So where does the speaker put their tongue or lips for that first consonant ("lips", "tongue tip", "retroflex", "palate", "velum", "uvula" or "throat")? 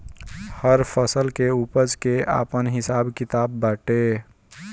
throat